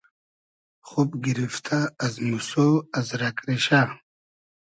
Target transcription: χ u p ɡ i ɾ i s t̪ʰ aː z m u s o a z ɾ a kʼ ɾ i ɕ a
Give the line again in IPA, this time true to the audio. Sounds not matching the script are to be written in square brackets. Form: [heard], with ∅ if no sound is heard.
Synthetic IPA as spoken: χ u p ɡ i ɾ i [f] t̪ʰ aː z m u s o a z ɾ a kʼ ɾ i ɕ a